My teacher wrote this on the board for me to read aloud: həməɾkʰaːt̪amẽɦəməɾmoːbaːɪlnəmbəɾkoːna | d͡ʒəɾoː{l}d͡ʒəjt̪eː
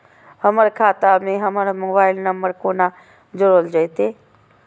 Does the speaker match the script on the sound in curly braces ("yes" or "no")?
yes